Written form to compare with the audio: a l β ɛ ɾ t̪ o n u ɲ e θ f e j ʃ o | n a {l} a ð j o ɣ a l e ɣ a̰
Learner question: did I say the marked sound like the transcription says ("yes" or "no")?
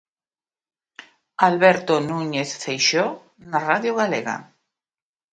no